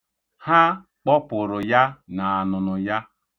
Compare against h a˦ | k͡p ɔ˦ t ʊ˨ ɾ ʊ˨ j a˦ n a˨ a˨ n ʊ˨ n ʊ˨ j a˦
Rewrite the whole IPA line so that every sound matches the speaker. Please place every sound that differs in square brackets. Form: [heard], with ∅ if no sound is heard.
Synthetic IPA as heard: h a˦ | k͡p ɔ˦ [p] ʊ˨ ɾ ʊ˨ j a˦ n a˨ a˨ n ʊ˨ n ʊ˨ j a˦